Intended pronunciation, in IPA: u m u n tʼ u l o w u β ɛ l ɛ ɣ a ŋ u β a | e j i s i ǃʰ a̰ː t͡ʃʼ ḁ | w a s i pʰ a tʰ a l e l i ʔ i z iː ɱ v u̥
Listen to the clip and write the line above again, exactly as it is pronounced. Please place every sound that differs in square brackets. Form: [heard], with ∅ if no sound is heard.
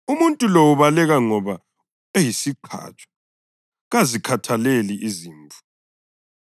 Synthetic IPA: u m u n tʼ u l o w u β [a] l ɛ ɣ a ŋ [ɔ] β a | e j i s i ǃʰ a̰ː t͡ʃʼ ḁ | [ɣ] a [z] i [kʰ] a tʰ a l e l i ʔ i z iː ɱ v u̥